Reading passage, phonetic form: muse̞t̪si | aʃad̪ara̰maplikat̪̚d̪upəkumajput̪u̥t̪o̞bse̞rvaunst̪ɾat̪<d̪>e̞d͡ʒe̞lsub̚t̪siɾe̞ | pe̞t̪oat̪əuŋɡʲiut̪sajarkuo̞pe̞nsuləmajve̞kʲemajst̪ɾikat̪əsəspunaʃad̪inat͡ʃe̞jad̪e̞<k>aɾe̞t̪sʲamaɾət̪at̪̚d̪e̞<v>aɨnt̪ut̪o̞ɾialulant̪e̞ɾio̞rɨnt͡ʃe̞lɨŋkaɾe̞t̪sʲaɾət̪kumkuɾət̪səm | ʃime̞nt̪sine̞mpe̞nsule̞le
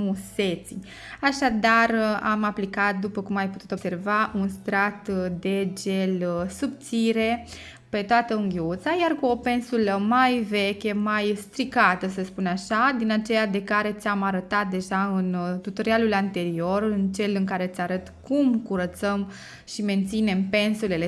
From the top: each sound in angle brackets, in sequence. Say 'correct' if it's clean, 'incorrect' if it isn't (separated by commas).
correct, correct, incorrect